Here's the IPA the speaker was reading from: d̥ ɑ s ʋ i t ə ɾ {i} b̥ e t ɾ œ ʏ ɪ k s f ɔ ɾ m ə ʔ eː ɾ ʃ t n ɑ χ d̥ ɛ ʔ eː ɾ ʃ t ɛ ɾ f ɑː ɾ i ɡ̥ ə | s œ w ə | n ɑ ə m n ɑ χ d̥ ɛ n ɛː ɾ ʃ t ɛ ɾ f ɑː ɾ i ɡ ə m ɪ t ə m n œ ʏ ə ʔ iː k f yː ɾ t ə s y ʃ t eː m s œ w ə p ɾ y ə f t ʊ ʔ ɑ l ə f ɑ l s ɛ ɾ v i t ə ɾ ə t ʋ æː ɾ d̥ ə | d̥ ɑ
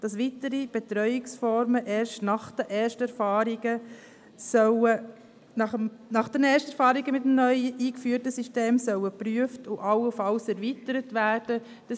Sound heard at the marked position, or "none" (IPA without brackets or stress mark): i